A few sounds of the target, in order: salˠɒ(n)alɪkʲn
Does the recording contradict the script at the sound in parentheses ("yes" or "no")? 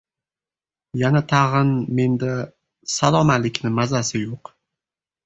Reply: yes